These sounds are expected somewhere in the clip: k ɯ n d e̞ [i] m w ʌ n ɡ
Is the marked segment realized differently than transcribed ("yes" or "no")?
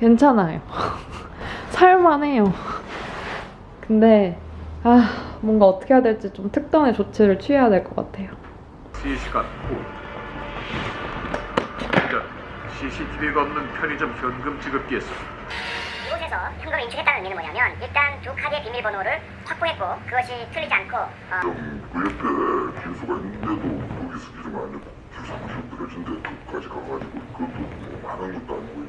yes